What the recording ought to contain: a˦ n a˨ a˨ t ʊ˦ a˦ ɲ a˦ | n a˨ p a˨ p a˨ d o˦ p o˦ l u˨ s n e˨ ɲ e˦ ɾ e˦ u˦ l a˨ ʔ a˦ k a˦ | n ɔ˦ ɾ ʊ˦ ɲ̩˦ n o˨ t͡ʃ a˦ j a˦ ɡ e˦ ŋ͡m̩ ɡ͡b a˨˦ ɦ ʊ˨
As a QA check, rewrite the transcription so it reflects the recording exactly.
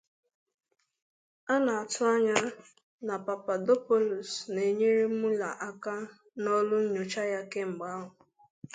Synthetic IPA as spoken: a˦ n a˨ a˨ t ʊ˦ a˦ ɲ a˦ | n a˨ p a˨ p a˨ d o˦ p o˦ l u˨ s n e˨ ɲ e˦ ɾ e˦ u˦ l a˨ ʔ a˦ k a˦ | n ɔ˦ l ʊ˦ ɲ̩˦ ɲ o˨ t͡ʃ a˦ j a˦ k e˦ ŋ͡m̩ ɡ͡b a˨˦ ɦ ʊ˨